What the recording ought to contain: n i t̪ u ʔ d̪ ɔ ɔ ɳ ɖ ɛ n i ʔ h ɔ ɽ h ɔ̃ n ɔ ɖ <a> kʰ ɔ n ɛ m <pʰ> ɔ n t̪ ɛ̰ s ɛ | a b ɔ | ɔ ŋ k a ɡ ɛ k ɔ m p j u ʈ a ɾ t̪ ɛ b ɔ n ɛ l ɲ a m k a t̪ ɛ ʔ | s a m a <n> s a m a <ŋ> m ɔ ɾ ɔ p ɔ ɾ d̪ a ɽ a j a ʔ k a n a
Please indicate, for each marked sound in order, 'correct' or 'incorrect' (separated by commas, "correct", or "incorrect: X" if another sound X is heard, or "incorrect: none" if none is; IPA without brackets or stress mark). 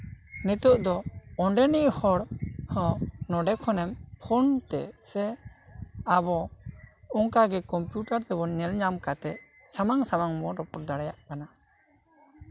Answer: incorrect: ɛ, correct, incorrect: ŋ, correct